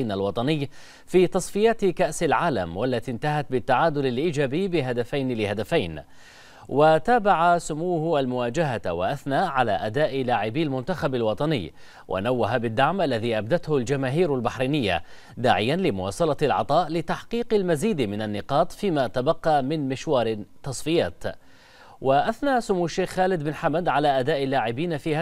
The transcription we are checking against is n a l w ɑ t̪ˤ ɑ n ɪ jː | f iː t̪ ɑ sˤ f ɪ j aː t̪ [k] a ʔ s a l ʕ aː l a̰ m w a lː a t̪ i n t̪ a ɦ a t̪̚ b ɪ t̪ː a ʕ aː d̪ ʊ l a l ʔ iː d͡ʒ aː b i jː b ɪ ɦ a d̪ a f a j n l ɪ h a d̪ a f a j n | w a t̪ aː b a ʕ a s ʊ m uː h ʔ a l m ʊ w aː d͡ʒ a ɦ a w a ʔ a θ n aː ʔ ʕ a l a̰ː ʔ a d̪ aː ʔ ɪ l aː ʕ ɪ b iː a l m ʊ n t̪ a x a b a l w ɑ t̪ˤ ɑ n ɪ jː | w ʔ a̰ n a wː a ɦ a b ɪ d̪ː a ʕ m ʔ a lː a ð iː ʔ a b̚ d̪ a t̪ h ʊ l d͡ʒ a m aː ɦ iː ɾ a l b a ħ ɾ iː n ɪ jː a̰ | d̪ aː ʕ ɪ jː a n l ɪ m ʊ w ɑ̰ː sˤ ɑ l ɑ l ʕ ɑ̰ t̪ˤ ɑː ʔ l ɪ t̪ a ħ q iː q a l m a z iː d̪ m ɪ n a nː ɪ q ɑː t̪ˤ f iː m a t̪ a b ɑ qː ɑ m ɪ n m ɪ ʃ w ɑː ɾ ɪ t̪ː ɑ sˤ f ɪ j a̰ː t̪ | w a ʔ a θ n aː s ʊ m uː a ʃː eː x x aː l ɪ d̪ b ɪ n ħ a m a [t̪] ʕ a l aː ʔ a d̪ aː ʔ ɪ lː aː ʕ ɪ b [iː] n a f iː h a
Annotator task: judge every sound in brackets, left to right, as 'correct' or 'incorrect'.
correct, incorrect: d̪, correct

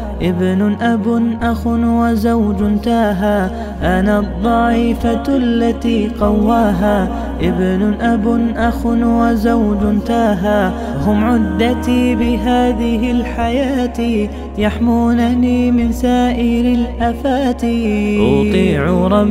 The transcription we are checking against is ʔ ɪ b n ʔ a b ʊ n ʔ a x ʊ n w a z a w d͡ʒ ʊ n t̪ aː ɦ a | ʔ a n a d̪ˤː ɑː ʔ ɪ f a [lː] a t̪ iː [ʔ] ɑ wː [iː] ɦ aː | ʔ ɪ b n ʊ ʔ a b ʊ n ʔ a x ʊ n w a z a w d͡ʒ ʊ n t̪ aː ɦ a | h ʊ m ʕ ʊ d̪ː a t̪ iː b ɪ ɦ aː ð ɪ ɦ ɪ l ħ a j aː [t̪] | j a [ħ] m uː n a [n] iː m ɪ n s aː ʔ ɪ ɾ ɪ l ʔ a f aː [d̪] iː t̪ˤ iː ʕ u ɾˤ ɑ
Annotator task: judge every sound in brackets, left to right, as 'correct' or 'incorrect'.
correct, incorrect: q, incorrect: aː, correct, correct, correct, incorrect: t̪

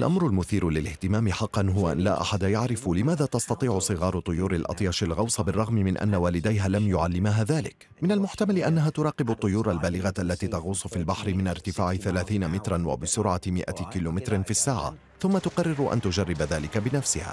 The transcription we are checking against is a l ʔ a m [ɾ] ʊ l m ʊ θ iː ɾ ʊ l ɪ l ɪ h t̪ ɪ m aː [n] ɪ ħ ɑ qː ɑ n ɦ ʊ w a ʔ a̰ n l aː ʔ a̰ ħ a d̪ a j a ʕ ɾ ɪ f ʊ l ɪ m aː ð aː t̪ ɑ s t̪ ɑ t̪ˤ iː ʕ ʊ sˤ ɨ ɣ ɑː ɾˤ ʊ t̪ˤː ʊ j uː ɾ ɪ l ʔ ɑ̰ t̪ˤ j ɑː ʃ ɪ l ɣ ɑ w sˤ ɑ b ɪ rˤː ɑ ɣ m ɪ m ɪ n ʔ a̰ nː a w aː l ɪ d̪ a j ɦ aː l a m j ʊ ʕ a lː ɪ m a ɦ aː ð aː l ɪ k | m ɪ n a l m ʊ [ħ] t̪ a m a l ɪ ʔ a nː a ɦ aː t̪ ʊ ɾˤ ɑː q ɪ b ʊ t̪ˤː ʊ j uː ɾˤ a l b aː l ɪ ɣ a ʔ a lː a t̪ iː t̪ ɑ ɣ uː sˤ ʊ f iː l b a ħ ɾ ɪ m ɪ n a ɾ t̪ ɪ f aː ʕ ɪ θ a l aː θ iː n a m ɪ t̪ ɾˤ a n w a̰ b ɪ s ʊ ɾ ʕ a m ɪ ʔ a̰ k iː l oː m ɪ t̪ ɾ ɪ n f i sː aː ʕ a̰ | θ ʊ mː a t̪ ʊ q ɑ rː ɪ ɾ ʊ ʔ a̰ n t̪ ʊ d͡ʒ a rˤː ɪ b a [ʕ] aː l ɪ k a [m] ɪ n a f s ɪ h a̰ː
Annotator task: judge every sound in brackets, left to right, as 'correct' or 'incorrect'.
correct, incorrect: m, correct, incorrect: ð, incorrect: b

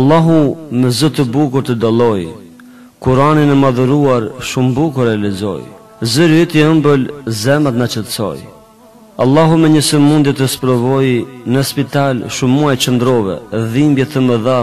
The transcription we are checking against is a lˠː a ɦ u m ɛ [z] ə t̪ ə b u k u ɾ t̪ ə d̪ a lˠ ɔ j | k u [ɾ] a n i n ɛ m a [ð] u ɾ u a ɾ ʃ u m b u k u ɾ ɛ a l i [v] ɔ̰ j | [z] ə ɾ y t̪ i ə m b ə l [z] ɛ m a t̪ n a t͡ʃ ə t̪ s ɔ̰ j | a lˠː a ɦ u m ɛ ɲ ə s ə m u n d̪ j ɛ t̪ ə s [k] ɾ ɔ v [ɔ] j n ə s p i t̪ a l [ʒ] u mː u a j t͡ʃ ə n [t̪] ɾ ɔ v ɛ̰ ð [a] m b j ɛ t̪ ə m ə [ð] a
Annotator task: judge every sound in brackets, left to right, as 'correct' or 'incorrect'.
correct, correct, correct, incorrect: z, correct, correct, incorrect: p, correct, incorrect: ʃ, incorrect: d̪, incorrect: i, correct

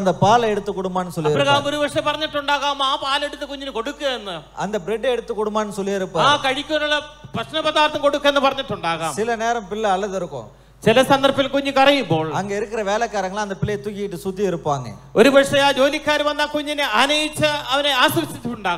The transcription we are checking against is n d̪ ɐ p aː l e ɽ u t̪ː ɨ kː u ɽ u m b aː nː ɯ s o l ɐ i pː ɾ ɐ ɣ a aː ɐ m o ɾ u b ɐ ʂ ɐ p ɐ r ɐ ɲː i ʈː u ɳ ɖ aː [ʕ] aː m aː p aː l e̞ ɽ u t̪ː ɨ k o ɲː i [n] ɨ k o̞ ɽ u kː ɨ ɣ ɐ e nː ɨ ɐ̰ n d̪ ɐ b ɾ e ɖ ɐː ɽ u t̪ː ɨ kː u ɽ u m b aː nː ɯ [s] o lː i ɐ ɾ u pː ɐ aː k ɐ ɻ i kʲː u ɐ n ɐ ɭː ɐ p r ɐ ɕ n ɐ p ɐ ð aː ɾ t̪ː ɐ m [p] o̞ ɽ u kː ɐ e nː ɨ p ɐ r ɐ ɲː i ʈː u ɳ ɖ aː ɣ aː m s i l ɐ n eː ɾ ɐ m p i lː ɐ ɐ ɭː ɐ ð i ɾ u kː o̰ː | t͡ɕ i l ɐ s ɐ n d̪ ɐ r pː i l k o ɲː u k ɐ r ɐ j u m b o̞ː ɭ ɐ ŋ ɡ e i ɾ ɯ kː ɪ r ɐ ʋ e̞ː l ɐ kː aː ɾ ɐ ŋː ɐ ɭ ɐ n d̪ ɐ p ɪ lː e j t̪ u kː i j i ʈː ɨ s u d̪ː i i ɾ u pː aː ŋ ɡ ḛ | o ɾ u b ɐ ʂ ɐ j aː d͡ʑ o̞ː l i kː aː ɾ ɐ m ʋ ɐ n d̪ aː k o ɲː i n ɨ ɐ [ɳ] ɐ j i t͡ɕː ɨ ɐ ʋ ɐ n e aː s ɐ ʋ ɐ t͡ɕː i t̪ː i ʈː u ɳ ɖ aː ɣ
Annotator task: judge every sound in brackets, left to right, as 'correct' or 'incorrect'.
incorrect: ɣ, correct, correct, incorrect: k, incorrect: n

